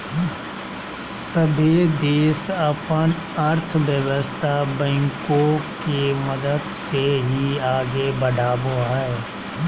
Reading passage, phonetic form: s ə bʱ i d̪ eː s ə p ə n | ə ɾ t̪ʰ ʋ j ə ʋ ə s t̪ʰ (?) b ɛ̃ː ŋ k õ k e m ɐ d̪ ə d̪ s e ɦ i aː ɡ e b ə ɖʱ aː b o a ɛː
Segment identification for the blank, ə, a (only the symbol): a